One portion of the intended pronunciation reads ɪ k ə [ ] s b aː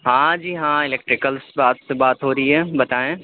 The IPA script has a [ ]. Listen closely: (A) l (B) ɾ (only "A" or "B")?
A